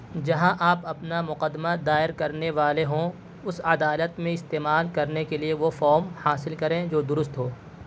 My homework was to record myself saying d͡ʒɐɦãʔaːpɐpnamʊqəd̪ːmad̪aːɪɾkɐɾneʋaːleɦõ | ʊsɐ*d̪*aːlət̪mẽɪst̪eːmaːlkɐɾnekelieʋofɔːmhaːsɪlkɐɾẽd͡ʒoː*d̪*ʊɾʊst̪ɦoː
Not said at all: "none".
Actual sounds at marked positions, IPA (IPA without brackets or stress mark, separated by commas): d̪, d̪